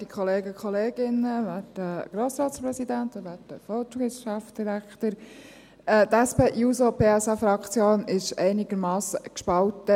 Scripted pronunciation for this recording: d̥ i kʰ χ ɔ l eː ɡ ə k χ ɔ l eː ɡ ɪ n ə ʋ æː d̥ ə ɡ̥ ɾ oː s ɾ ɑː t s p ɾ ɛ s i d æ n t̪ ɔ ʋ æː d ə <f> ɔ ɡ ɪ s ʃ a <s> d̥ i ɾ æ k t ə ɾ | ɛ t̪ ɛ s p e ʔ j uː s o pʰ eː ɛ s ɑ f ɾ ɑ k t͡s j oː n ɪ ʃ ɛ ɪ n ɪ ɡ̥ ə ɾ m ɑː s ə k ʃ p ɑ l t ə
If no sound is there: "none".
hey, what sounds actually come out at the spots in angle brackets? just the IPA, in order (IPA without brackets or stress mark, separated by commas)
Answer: f, f